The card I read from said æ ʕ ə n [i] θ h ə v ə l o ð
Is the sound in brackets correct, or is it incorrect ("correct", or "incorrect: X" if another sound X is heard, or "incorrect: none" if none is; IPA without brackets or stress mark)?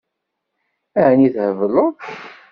correct